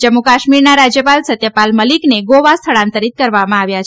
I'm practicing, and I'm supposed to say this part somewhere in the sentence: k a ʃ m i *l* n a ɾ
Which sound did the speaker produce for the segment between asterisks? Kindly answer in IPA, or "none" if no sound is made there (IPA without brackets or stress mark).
ɾ